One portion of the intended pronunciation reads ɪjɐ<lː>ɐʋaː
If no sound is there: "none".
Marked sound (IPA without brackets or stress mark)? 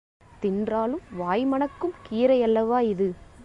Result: lː